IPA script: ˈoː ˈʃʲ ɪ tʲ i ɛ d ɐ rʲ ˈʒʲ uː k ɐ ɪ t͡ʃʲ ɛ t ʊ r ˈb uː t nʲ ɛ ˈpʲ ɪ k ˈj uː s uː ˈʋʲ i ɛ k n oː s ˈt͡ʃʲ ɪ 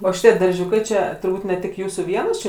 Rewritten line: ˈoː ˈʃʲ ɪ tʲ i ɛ d ɐ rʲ ˈʒʲ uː k ɐ ɪ t͡ʃʲ ɛ t ʊ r ˈb uː t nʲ ɛ ˈtʲ ɪ k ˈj uː s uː ˈʋʲ i ɛ n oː s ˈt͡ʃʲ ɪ